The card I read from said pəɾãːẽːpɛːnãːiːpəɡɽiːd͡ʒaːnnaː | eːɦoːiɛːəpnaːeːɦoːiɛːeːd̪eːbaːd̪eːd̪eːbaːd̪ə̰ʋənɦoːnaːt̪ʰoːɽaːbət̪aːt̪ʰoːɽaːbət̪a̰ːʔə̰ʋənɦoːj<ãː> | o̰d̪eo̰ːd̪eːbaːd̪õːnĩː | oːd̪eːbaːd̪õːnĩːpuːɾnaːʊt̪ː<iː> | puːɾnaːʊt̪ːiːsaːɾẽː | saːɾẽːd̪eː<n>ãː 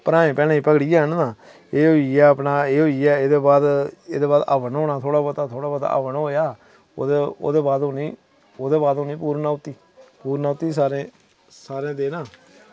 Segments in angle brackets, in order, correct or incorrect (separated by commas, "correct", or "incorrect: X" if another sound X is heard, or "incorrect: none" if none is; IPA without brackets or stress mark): incorrect: aː, correct, correct